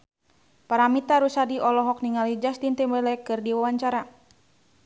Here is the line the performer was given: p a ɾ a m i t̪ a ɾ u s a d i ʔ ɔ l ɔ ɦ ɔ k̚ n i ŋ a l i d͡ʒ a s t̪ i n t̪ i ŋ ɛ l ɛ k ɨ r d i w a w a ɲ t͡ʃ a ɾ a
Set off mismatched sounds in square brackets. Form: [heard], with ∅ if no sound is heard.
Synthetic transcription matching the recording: p a ɾ a m i t̪ a ɾ u s a d i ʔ ɔ l ɔ ɦ ɔ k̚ n i ŋ a l i d͡ʒ a s t̪ i n t̪ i [m] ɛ l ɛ k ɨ r d i w a w a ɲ t͡ʃ a ɾ a